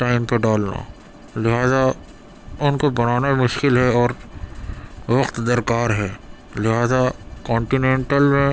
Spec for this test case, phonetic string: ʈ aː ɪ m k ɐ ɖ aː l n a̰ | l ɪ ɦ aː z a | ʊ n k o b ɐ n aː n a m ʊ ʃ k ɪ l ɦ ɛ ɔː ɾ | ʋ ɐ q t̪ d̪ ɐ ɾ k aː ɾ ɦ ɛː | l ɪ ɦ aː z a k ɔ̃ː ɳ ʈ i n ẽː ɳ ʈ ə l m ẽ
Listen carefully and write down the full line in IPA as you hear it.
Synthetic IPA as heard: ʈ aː ɪ m p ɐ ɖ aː l n a̰ | l ɪ ɦ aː z a | ʊ n k o b ɐ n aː n a m ʊ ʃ k ɪ l ɦ ɛ ɔː ɾ | ʋ ɐ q t̪ d̪ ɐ ɾ k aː ɾ ɦ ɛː | l ɪ ɦ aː z a k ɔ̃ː ɳ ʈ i n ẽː ɳ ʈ ə l m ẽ